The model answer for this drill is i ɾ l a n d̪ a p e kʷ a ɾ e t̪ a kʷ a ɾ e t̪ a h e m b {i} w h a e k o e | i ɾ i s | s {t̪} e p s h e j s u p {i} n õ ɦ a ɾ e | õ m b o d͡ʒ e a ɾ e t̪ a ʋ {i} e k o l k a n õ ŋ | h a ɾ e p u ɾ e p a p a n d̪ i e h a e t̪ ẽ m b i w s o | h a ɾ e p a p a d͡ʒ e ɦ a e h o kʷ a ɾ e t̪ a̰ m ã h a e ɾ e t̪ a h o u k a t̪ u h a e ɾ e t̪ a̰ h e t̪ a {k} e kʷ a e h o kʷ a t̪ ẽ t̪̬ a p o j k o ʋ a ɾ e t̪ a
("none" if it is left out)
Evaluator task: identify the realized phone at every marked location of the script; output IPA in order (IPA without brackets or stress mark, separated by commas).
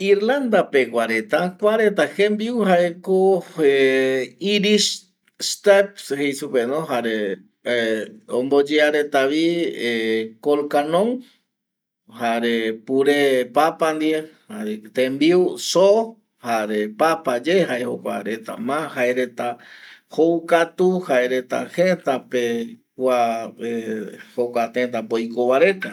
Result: i, t̪, e, i, p